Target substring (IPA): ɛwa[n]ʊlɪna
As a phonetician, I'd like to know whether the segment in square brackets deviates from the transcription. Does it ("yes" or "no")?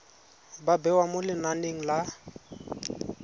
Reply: yes